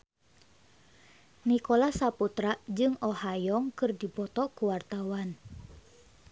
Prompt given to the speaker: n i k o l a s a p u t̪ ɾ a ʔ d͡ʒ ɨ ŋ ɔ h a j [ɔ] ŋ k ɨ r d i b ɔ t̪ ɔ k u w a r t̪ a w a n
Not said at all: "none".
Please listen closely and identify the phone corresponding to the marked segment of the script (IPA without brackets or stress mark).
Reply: ɔ